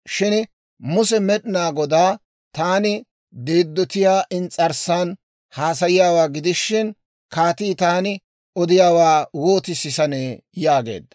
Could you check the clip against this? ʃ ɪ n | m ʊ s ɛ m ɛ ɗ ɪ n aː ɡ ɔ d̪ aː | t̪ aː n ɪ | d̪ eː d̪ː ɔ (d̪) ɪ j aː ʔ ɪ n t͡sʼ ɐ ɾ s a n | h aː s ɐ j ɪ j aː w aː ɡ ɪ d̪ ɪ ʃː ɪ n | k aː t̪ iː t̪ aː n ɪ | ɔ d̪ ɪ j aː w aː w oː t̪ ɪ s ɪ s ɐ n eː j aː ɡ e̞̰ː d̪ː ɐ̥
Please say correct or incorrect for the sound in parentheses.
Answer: incorrect: t̪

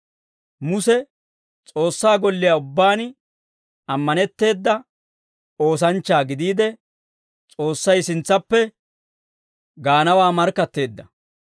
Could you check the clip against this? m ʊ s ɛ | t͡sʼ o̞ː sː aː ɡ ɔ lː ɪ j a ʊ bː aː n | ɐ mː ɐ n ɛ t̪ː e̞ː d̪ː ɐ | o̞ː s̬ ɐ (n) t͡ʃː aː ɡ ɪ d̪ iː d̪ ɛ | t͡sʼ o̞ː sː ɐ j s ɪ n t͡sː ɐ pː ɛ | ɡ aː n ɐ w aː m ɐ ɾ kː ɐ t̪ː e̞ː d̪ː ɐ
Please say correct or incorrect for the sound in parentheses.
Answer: correct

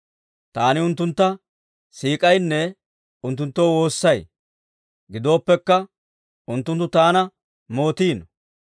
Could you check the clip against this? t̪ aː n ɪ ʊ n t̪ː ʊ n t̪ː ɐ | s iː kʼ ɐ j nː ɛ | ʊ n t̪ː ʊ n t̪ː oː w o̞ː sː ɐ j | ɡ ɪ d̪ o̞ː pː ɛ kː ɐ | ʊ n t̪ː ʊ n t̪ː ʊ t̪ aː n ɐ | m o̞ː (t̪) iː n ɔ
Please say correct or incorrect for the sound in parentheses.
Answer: correct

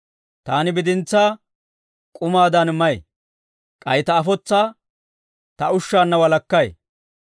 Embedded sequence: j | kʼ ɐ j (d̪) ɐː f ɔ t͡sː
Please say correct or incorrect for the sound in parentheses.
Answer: incorrect: t̪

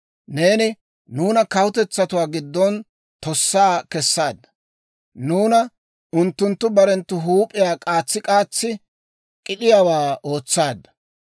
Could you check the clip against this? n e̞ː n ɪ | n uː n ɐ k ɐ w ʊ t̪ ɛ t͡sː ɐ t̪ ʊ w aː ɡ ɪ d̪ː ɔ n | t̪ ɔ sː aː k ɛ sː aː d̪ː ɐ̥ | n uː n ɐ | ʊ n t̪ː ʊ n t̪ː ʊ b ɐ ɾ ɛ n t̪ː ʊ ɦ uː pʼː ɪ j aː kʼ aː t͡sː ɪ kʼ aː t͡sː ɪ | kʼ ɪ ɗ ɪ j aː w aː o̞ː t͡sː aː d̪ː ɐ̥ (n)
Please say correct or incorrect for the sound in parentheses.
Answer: incorrect: none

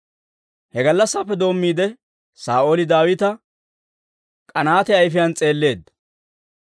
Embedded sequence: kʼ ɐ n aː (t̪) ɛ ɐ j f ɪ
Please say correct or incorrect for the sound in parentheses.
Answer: correct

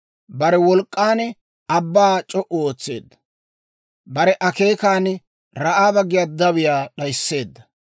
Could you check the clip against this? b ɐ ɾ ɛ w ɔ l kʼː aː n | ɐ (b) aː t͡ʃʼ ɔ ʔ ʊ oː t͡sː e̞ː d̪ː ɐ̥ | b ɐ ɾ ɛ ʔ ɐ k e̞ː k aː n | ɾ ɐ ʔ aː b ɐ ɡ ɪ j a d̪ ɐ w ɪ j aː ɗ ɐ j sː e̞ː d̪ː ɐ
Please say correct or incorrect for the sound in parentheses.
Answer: incorrect: bː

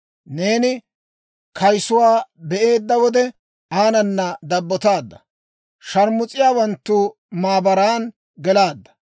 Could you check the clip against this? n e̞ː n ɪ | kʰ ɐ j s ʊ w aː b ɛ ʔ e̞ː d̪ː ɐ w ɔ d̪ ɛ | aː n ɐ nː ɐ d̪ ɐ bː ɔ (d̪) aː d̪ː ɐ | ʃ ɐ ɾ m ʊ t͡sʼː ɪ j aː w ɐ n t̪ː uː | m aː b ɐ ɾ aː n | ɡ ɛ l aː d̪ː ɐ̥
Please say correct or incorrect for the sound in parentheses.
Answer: incorrect: t̪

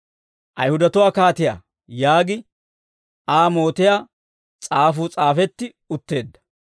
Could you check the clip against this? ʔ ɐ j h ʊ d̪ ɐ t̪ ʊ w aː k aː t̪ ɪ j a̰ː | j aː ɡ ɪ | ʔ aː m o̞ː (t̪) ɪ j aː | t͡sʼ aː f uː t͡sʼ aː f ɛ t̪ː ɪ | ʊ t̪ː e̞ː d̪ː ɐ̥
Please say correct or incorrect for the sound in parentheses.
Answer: correct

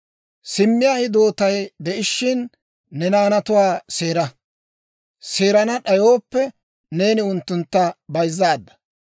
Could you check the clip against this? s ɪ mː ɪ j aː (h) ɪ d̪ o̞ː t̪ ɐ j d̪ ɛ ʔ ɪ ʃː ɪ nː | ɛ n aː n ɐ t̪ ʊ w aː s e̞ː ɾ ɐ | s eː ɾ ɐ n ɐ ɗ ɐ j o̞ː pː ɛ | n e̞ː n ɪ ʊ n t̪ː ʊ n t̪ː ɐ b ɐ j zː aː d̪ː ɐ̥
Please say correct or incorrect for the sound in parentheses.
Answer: correct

